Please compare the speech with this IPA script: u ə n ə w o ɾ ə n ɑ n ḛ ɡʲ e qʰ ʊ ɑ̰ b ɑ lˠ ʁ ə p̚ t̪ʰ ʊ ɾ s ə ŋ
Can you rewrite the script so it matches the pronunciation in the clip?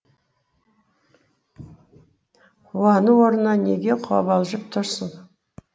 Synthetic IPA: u ɑ n ə w o ɾ ə n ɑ n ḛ ɡʲ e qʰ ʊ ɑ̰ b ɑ lˠ ʒ ə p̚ t̪ʰ ʊ ɾ s ə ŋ